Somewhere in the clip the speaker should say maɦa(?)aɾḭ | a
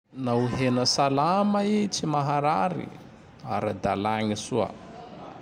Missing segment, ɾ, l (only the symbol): ɾ